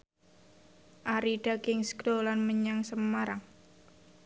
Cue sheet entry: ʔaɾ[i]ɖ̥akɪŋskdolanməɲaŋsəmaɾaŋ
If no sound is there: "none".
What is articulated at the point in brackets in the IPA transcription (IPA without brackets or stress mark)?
i